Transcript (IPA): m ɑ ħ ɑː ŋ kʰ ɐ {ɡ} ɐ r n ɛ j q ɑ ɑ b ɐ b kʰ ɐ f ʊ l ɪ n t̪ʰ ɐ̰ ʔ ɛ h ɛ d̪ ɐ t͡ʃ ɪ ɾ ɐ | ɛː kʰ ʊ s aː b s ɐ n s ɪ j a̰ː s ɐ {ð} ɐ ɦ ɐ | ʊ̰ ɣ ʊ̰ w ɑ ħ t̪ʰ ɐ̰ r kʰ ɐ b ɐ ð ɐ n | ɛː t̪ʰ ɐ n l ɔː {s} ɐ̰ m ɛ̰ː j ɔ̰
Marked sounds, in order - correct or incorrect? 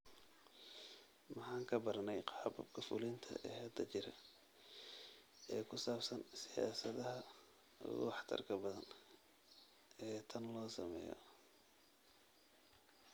incorrect, correct, correct

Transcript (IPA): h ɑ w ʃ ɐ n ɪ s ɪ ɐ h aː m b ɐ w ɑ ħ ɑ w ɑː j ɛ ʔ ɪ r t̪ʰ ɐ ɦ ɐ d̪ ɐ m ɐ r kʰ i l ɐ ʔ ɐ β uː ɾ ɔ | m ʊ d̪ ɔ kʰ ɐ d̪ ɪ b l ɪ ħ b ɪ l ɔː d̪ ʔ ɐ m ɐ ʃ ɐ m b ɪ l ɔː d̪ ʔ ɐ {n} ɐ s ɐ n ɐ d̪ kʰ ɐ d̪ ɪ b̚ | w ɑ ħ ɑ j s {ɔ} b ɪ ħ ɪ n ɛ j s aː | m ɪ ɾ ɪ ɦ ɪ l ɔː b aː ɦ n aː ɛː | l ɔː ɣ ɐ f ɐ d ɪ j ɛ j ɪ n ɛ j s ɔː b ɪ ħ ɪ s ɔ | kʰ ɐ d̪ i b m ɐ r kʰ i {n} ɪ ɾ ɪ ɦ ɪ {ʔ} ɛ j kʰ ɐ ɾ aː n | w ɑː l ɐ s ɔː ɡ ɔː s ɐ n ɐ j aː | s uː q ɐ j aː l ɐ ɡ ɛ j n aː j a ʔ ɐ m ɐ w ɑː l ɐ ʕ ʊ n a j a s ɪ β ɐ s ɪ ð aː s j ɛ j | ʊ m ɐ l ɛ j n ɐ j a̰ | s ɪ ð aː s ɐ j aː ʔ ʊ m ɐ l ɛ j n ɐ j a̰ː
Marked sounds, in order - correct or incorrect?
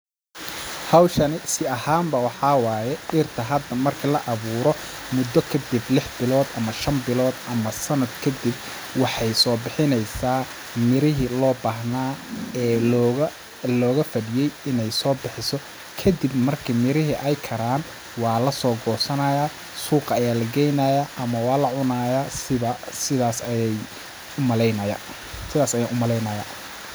incorrect, incorrect, incorrect, correct

